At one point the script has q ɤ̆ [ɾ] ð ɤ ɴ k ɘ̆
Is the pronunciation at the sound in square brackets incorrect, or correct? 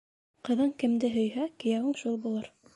incorrect